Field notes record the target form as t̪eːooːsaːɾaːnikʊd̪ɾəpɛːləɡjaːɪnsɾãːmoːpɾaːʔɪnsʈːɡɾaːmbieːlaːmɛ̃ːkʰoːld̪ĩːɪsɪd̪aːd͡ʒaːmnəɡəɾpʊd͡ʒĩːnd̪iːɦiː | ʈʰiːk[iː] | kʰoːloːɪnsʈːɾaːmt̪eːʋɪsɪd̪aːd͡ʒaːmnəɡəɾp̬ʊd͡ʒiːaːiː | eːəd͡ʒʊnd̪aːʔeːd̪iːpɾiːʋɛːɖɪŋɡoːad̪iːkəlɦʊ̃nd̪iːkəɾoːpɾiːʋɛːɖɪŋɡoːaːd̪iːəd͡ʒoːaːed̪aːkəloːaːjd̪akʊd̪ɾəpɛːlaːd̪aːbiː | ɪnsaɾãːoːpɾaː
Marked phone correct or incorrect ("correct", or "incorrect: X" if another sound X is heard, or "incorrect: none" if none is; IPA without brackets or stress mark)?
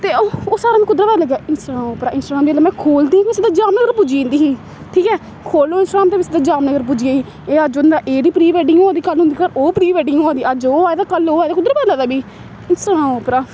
incorrect: ɛː